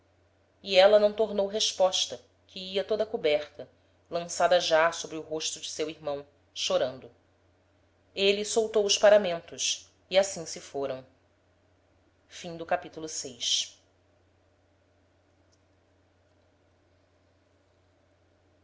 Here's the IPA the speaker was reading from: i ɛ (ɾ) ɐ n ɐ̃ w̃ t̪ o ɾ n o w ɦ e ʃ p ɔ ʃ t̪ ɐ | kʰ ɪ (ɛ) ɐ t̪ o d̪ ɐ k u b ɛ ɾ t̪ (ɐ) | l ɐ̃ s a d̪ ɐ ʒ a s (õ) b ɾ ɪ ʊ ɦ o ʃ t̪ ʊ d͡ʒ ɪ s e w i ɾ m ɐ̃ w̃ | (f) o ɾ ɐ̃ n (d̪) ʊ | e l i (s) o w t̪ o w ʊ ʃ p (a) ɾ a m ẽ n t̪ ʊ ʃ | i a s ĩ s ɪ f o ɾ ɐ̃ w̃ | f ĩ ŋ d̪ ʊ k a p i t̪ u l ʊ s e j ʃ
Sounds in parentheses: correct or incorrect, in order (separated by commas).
incorrect, incorrect, correct, incorrect, incorrect, correct, correct, correct